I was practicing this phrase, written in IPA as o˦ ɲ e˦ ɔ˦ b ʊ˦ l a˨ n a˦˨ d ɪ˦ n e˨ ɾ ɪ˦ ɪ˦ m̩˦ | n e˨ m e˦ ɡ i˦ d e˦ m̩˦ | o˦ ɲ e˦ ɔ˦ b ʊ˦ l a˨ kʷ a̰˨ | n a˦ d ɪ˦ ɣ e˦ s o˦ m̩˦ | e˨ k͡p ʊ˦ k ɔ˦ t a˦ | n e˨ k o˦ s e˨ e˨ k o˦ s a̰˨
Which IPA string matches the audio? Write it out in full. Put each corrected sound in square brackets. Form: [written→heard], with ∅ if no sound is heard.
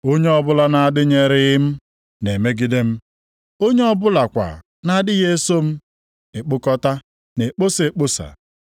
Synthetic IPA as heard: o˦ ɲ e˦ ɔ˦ b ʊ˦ l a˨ n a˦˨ d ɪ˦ [n→ɲ] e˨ ɾ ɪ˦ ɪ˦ m̩˦ | n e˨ m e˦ ɡ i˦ d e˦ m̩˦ | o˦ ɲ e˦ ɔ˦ b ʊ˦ l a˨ kʷ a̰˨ | n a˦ d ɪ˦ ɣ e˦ s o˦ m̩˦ | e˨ k͡p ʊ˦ k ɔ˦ t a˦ | n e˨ [k→k͡p] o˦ s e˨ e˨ [k→k͡p] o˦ s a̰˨